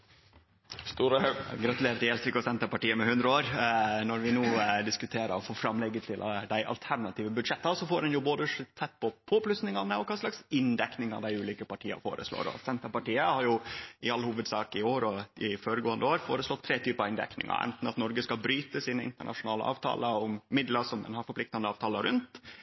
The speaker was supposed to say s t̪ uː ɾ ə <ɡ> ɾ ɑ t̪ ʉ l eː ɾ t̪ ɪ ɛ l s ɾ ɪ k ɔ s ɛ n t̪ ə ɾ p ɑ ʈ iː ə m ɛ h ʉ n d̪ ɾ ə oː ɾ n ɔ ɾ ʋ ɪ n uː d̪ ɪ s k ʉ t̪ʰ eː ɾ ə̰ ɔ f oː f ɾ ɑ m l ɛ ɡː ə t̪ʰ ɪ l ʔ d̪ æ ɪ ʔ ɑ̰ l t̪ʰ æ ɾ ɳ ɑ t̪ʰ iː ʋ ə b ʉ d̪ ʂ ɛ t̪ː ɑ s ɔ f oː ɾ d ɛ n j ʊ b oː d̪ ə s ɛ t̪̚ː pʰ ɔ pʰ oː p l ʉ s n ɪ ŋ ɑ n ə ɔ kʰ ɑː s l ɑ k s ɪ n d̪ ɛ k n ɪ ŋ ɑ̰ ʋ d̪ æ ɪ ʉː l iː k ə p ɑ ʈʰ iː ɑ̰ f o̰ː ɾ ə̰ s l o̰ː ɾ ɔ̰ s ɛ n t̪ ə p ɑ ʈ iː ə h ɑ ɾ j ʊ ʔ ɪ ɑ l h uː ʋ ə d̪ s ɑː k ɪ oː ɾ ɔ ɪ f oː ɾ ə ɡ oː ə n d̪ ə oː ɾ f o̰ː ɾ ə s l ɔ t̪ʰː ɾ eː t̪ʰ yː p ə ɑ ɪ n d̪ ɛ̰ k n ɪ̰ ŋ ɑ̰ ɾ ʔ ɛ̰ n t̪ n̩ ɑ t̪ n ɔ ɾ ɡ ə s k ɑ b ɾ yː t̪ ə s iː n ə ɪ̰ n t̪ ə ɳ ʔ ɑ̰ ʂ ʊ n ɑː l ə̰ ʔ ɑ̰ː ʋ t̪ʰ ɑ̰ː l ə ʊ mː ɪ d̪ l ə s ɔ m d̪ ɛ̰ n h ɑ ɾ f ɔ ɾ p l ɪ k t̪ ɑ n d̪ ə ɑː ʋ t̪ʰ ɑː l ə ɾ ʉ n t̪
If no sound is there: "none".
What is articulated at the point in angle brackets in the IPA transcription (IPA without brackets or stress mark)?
ɡ